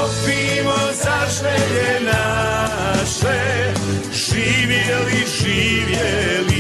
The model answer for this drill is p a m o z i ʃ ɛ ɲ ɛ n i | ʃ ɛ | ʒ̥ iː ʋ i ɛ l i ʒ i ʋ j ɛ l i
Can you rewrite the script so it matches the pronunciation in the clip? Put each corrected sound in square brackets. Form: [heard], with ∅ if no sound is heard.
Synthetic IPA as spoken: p [i] m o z [a] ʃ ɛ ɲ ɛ n [a] | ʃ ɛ | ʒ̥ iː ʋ [j] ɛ l i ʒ i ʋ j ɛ l i